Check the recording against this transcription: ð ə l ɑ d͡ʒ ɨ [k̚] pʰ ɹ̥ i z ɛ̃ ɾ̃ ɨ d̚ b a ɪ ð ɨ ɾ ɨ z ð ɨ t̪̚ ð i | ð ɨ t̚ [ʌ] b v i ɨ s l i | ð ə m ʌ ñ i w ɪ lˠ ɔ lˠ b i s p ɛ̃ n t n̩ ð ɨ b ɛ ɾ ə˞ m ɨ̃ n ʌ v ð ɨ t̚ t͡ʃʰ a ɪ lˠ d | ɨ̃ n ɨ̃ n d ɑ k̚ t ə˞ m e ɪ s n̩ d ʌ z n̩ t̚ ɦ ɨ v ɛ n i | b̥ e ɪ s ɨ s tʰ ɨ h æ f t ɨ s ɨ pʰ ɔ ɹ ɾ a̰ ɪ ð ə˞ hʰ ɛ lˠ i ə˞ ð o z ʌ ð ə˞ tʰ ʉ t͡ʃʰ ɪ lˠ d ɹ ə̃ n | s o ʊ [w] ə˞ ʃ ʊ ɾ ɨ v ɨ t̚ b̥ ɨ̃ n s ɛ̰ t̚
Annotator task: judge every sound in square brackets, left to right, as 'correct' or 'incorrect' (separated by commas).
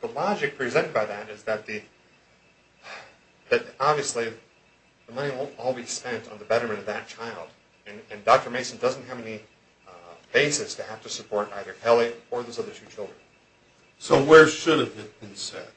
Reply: correct, incorrect, correct